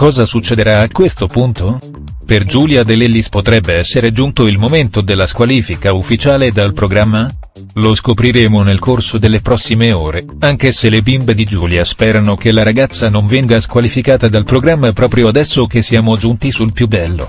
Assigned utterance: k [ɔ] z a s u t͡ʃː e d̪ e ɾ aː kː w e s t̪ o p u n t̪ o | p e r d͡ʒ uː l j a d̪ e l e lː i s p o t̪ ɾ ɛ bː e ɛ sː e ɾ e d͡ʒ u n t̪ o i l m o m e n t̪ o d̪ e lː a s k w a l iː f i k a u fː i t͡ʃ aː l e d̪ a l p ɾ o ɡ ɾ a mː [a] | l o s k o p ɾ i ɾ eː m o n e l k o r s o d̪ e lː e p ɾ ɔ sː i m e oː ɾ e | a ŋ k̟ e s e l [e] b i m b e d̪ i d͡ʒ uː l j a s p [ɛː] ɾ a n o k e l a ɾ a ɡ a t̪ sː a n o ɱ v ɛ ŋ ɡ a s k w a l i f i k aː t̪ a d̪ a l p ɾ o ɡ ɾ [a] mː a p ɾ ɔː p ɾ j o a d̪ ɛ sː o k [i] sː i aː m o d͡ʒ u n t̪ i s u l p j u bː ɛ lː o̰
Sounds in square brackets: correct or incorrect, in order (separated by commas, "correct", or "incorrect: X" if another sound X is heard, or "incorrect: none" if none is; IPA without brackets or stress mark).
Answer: incorrect: ɔː, correct, correct, correct, correct, incorrect: e